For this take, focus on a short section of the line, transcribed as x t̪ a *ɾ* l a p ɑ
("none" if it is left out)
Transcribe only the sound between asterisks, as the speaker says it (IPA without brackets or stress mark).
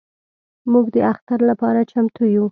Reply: ɾ